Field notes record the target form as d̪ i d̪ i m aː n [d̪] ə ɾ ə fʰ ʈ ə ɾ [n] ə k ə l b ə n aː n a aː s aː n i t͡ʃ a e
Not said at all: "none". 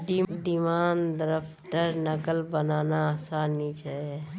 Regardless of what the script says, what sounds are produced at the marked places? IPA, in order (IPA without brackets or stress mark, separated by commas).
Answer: d̪, n